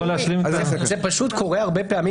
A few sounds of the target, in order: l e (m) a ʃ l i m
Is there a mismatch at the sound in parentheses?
yes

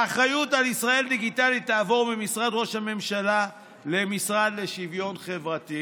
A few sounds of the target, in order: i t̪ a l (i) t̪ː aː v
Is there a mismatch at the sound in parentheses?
no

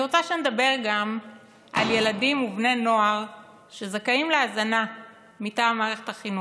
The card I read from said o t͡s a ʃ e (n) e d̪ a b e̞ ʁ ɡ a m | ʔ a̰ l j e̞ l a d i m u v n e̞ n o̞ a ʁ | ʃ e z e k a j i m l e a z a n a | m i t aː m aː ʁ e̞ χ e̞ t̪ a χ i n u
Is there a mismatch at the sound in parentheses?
no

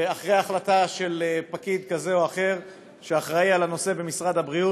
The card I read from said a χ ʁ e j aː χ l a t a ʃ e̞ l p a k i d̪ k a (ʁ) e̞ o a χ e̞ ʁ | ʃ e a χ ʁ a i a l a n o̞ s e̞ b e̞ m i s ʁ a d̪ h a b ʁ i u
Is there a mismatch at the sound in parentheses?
yes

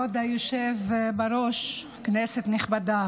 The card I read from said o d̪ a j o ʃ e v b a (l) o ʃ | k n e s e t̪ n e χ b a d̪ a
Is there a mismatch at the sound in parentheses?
yes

